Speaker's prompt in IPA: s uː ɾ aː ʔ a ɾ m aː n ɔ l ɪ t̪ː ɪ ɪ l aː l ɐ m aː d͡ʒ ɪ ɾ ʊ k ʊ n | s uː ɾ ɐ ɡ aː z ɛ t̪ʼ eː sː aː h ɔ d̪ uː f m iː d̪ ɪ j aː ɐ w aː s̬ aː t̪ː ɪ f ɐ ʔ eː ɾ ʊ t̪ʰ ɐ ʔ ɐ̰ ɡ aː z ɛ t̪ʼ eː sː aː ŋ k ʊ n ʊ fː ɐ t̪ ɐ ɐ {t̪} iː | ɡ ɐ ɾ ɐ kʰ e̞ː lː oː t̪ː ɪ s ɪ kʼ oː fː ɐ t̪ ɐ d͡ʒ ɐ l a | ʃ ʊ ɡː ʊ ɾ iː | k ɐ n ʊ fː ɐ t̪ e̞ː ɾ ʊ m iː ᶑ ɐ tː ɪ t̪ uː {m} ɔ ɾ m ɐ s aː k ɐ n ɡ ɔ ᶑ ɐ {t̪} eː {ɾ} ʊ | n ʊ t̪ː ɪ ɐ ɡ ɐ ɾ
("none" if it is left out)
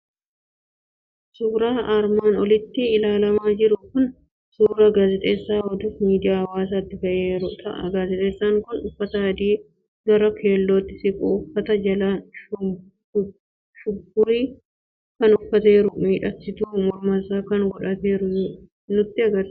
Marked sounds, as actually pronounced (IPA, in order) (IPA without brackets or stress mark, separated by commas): d̪, m, t̪, ɾ